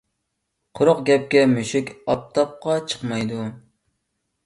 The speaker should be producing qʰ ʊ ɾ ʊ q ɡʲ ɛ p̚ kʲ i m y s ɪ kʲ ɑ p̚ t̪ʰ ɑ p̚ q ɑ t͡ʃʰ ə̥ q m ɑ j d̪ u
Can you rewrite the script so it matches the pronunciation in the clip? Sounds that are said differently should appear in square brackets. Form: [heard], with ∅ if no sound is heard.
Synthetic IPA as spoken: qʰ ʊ ɾ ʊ q ɡʲ ɛ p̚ kʲ [ɛ] m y [ʃ] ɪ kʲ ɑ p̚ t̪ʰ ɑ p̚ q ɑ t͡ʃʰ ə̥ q m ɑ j d̪ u